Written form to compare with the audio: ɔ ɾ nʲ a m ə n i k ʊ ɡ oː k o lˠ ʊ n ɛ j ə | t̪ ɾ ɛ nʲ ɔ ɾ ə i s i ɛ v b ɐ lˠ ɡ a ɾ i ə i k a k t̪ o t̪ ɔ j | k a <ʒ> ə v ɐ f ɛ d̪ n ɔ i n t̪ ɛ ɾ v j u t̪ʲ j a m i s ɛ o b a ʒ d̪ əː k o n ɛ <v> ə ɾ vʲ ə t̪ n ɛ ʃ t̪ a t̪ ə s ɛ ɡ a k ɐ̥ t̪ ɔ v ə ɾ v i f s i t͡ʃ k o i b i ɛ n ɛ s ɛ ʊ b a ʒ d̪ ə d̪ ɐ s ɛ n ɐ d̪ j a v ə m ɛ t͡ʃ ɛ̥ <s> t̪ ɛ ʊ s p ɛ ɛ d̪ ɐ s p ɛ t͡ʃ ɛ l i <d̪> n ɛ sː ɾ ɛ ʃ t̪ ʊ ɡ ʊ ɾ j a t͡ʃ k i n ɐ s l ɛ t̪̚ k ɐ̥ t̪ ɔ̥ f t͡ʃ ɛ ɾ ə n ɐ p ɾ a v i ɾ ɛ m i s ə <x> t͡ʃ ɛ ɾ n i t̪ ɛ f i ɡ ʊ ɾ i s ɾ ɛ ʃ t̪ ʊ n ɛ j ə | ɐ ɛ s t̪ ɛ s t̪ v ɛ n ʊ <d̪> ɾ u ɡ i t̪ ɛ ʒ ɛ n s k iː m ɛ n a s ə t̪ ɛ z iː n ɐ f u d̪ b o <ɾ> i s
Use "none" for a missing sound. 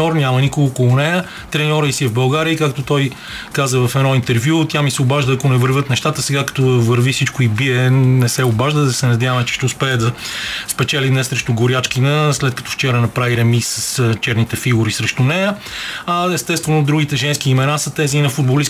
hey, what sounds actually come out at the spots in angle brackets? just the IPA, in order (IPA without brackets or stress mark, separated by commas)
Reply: z, v, ʃ, d̪, s, d̪, l